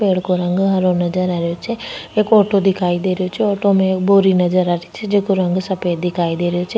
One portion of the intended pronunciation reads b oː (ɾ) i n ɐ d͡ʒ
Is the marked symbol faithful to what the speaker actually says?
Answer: yes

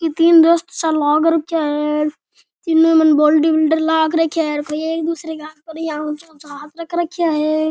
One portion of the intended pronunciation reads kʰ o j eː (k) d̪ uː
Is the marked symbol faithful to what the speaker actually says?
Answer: yes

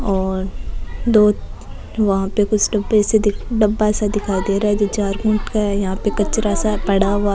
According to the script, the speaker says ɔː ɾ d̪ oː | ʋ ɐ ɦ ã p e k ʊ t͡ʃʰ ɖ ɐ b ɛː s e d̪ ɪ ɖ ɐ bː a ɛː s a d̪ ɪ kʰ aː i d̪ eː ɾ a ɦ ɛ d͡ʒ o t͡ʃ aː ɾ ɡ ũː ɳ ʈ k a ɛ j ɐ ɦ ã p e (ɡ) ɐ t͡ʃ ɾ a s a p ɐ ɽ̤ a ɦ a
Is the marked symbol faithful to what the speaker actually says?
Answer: no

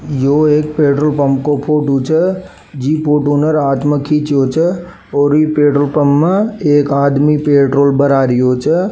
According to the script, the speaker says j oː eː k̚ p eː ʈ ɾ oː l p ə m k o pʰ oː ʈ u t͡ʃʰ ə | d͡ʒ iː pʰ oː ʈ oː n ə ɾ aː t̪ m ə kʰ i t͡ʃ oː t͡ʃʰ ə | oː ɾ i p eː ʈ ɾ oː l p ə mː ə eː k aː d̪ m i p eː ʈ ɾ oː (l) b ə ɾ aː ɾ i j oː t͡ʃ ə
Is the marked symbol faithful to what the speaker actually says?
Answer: yes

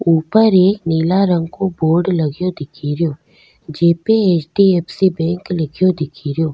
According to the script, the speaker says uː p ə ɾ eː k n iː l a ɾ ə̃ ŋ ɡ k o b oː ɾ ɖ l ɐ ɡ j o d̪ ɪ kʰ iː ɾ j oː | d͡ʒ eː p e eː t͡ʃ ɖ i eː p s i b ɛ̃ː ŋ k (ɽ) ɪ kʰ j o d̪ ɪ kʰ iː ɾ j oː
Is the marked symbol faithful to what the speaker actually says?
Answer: no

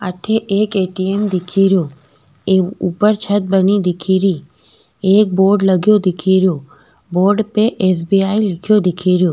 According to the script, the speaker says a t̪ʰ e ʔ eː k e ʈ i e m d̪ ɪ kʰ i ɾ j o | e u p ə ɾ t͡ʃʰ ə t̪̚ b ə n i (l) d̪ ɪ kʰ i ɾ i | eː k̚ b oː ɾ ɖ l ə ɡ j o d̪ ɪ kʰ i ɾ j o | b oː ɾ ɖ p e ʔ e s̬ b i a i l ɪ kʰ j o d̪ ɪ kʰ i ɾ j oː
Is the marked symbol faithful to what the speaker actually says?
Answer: no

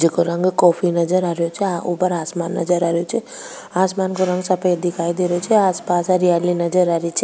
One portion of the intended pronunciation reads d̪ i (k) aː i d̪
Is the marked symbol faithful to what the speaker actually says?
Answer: no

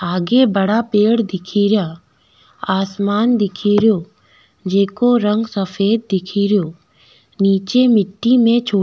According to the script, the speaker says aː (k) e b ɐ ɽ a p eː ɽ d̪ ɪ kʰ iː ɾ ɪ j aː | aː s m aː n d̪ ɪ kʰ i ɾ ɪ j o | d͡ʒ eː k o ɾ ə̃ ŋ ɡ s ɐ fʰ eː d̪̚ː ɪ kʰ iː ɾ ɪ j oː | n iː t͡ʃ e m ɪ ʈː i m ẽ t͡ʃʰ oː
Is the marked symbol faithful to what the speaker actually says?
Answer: no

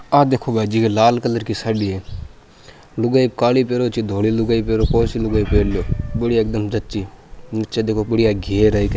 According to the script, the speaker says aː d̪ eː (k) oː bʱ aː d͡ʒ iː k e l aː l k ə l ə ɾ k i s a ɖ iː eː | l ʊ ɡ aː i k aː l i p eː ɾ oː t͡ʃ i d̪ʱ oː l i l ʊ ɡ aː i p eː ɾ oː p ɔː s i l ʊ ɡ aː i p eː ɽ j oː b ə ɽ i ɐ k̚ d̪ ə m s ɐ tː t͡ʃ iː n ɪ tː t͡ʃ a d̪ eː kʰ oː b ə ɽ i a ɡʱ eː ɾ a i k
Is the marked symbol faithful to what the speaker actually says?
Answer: no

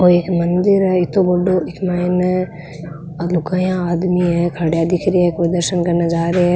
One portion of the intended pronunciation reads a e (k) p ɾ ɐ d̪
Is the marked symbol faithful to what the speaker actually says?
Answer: yes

